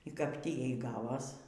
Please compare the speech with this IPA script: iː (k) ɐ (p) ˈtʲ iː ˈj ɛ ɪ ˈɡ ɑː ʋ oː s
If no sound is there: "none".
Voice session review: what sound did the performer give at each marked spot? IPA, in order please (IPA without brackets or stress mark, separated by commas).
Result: k, p